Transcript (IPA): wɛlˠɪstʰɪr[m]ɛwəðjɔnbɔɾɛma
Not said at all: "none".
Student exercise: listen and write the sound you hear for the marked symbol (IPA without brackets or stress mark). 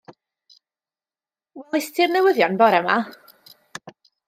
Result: n